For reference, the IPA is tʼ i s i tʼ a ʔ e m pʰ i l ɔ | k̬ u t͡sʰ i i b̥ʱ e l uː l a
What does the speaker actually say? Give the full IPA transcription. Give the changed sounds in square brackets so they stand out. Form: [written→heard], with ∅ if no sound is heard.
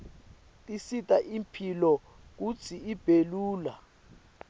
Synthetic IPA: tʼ i s i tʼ a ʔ [e→i] m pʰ i l ɔ | k̬ u t͡sʰ i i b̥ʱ e l uː l a